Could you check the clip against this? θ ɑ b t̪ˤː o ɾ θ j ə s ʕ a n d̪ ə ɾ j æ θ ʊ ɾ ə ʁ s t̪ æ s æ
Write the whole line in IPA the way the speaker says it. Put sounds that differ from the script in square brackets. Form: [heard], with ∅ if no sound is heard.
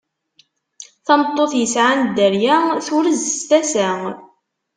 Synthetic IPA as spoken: θ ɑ [m] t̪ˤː o [∅] θ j ə s ʕ a n d̪ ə ɾ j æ θ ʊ ɾ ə [z] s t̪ æ s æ